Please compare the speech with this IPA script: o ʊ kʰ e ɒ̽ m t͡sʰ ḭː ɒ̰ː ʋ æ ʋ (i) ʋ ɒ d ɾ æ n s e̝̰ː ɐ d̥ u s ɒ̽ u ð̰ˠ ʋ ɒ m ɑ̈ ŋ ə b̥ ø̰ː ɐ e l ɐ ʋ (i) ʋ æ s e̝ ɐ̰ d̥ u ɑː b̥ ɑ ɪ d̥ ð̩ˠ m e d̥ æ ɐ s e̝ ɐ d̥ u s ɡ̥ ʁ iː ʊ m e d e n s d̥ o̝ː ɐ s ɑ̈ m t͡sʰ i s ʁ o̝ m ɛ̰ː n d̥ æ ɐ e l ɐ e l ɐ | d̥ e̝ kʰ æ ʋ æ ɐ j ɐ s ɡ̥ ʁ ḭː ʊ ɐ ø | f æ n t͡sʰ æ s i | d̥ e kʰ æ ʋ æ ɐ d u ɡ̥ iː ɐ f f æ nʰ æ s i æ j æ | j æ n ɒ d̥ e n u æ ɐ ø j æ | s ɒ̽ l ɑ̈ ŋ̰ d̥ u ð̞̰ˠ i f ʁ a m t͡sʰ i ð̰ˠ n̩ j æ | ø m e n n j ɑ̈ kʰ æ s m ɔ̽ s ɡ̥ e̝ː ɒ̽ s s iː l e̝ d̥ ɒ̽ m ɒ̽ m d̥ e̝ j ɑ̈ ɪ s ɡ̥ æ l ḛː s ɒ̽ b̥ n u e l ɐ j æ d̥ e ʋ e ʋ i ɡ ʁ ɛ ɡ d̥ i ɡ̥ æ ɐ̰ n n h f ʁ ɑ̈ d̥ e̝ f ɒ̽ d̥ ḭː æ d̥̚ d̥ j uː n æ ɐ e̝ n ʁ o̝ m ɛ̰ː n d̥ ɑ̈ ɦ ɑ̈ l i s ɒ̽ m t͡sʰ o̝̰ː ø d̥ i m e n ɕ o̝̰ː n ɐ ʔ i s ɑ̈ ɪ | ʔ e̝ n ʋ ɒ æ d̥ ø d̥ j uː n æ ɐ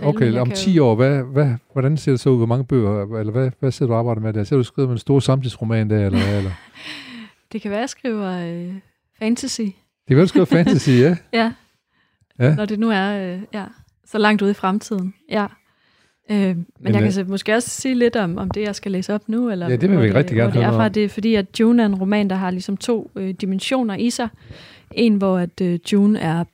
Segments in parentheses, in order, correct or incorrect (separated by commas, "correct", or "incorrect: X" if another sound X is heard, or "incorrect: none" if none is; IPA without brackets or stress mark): incorrect: æ, incorrect: æ